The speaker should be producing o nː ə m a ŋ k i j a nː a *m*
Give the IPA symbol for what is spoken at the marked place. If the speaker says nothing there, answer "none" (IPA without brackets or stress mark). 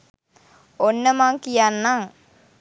ŋ